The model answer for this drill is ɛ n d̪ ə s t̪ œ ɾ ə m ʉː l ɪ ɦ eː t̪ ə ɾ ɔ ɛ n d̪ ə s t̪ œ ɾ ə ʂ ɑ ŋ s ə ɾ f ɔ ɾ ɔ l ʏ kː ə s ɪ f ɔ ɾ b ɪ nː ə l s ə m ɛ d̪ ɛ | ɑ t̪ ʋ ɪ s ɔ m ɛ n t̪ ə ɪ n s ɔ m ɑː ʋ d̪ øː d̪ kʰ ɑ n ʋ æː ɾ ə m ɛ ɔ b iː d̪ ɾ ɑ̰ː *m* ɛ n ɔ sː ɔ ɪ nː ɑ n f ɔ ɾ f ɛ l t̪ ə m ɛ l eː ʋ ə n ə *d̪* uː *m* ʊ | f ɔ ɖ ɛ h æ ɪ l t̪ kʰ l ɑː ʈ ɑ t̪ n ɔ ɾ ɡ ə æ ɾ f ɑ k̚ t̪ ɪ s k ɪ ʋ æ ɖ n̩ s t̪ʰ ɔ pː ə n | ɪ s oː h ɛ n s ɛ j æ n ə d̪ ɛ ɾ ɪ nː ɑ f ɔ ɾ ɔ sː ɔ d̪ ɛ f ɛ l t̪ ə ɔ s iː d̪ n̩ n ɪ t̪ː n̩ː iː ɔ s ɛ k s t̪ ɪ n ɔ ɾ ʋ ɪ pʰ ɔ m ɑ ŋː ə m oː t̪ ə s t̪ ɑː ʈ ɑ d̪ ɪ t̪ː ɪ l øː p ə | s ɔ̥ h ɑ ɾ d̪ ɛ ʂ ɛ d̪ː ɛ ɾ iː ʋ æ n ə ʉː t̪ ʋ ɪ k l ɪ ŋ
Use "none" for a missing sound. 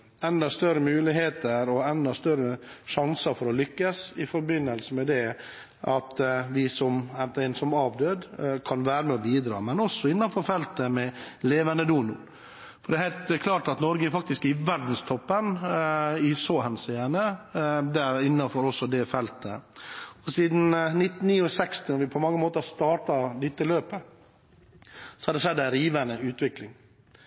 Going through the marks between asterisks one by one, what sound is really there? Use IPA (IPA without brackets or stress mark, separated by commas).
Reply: m, d̪, n